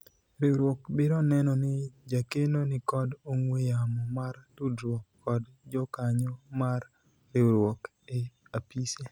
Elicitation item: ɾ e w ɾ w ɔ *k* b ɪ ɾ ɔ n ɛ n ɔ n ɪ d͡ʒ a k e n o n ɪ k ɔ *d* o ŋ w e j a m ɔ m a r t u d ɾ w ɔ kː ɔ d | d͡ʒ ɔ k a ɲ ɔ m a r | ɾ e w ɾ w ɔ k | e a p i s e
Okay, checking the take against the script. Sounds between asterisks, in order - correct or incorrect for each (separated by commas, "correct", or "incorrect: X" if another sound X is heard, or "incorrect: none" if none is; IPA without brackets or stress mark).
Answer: correct, correct